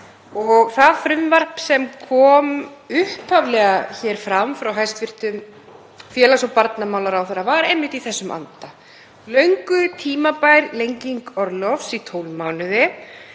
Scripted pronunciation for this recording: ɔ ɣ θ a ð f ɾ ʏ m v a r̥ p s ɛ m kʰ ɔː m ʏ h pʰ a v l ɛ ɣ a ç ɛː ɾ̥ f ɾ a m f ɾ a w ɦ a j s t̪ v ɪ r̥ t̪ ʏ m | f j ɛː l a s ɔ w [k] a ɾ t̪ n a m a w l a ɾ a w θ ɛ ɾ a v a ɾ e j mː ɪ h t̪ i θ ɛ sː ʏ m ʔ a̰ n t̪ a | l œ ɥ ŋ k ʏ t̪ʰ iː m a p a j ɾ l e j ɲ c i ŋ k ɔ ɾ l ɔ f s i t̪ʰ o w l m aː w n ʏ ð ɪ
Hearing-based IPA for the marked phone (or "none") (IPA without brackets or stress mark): p